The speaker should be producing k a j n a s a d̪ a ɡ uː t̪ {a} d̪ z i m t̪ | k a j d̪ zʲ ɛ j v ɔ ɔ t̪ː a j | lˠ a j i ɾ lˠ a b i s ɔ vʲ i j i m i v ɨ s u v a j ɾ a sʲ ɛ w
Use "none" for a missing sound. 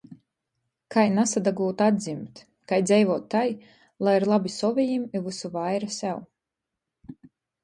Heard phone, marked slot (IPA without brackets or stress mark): a